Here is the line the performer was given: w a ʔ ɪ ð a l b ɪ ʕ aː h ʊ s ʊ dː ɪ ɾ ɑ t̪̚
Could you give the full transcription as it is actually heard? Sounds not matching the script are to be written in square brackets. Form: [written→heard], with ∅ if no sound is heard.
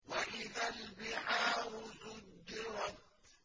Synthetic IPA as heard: w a ʔ ɪ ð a l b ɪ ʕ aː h ʊ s ʊ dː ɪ ɾ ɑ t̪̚